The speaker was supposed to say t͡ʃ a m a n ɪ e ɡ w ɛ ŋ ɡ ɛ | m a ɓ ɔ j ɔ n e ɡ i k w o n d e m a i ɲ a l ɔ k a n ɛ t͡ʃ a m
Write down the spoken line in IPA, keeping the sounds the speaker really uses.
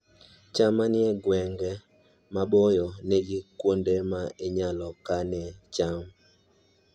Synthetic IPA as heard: t͡ʃ a m a n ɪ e ɡ w ɛ ŋ ɡ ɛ | m a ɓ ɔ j ɔ n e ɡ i k w o n d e m a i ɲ a l ɔ k a n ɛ t͡ʃ a m